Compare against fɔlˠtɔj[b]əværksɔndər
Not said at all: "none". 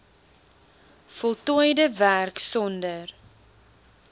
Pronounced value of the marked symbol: d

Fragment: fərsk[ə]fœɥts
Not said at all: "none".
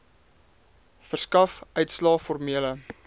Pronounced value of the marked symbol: ɐ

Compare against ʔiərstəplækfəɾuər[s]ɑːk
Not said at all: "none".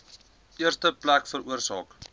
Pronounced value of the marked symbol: s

